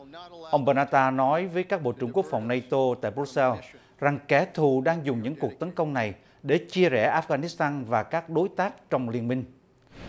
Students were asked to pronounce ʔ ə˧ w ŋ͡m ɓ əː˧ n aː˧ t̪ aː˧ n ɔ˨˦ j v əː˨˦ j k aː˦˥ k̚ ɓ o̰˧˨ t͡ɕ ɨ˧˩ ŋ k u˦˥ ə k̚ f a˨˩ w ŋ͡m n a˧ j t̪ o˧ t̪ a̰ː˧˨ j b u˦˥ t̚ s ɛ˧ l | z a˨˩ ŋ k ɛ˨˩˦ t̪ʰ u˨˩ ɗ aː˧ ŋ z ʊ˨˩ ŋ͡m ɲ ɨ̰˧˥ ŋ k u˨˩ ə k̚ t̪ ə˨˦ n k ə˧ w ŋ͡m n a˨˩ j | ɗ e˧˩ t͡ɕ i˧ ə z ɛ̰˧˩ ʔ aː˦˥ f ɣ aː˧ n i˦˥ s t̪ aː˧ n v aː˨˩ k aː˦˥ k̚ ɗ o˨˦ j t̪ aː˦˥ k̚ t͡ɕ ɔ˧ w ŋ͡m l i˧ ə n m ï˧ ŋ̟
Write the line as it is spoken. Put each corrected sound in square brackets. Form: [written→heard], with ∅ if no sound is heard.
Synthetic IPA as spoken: ʔ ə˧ w ŋ͡m ɓ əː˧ n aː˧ t̪ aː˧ n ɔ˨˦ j v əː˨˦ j k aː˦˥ k̚ ɓ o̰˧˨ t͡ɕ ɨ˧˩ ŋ k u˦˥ ə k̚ f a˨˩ w ŋ͡m n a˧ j t̪ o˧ t̪ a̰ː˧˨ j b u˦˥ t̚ s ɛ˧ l | z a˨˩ ŋ k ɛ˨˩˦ t̪ʰ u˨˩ ɗ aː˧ ŋ z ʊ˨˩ ŋ͡m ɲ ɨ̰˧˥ ŋ k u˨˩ ə k̚ t̪ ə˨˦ n k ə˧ w ŋ͡m n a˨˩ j | ɗ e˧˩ t͡ɕ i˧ ə z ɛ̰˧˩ ʔ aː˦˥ f ɣ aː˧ n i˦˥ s t̪ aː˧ n v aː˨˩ k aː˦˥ k̚ ɗ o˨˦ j t̪ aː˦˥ k̚ t͡ɕ ɔ˧ w ŋ͡m l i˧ ə n m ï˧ ŋ̟